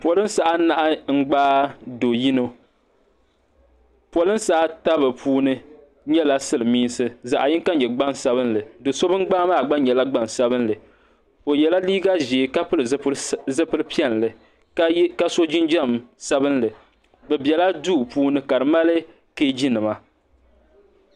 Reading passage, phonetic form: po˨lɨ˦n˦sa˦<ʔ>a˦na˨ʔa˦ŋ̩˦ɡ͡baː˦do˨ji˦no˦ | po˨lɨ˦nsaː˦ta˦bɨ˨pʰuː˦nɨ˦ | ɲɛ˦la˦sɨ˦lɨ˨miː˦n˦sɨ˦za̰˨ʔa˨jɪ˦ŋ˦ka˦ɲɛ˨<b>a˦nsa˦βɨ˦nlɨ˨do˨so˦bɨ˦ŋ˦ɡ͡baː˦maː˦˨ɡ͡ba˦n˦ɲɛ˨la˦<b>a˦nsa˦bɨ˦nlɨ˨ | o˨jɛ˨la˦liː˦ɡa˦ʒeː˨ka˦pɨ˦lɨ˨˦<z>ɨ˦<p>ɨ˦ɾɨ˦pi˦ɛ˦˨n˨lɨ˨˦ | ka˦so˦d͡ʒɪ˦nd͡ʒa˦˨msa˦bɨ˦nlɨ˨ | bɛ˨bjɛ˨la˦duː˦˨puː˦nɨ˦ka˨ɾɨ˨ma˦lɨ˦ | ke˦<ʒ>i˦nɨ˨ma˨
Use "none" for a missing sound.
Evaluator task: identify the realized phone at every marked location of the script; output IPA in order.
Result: ʔ, ɡ͡b, ɡ͡b, z, p, d͡ʒ

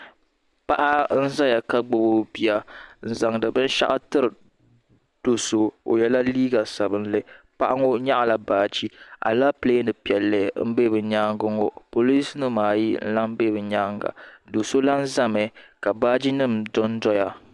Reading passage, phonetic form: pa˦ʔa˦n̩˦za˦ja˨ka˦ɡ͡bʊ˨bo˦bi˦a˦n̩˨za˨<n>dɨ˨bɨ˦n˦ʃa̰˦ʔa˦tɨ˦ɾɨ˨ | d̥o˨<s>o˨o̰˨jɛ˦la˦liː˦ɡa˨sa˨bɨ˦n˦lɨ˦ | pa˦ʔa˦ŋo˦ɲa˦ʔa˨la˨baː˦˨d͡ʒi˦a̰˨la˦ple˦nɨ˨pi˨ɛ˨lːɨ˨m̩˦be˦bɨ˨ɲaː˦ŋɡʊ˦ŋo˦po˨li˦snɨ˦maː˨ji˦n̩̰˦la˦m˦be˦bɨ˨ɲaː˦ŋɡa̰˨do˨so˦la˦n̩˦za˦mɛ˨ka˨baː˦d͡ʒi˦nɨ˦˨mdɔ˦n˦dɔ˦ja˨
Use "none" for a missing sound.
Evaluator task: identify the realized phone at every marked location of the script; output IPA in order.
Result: ŋ, s

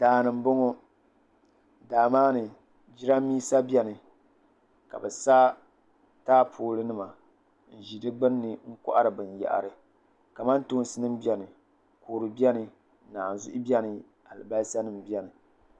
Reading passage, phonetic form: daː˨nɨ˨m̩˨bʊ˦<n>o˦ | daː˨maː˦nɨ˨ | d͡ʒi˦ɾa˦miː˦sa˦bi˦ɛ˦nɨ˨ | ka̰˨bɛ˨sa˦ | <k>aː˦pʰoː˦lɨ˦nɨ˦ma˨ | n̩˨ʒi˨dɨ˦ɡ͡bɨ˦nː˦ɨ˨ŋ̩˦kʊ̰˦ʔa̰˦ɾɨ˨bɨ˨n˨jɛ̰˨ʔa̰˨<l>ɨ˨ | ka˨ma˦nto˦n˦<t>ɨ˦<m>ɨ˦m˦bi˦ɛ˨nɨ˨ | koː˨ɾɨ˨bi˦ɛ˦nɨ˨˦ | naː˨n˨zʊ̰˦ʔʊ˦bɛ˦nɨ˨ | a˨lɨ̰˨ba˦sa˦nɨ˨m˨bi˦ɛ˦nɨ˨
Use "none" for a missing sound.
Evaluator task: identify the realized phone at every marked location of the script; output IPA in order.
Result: ŋ, t, ɾ, s, n

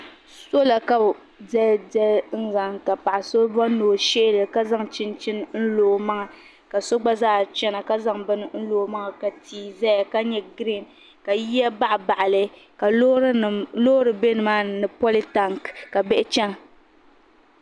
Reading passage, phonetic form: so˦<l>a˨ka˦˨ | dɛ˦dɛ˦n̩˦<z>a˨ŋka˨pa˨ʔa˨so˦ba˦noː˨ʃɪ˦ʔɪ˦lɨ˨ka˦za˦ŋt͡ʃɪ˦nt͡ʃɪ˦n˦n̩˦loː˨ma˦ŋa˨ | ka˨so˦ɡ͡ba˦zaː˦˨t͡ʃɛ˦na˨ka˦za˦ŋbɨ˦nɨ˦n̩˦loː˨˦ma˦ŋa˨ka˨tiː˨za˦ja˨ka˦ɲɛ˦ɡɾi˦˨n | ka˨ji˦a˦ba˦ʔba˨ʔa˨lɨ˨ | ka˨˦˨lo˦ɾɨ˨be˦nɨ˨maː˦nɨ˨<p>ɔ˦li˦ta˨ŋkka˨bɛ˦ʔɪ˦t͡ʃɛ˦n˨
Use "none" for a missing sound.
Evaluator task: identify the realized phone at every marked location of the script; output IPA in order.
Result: l, z, p

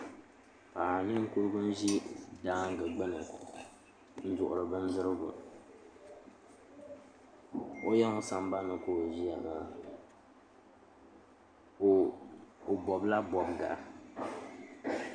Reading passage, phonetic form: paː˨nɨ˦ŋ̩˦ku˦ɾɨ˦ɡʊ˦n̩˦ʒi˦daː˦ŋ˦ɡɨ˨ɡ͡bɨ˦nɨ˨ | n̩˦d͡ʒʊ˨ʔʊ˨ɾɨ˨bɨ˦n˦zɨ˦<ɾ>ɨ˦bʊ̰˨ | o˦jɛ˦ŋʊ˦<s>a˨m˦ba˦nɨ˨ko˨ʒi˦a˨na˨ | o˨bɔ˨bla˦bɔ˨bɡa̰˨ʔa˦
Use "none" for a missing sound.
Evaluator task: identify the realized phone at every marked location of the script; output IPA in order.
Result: ɾ, s

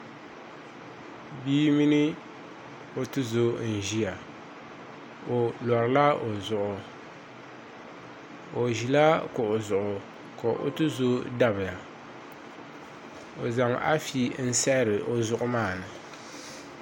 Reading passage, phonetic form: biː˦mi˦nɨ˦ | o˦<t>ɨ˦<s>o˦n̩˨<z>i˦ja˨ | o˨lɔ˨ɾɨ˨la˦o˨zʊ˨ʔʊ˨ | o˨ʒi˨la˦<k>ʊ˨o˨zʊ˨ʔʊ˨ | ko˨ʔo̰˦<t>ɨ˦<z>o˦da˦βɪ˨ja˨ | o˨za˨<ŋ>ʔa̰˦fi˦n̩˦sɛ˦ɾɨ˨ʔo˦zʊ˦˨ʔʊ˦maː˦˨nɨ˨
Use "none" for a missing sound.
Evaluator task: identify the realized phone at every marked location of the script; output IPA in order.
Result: t, z, ʒ, k, t, z, ŋ

